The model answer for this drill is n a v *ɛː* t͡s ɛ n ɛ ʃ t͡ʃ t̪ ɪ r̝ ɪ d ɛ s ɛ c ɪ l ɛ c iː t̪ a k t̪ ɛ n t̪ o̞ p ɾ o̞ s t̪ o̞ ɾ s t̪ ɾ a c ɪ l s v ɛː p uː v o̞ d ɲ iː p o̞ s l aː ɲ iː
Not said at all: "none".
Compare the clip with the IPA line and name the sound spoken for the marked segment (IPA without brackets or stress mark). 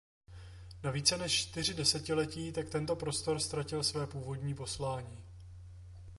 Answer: iː